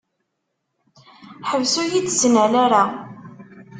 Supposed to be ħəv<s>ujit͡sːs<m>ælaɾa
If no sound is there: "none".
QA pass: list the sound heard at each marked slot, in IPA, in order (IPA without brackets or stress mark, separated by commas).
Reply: s, n